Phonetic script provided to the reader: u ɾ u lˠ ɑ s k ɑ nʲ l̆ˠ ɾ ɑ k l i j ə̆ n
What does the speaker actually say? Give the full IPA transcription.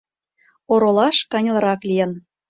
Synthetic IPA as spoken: o ɾ o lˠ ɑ ʃ k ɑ nʲ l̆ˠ ɾ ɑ k l i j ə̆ n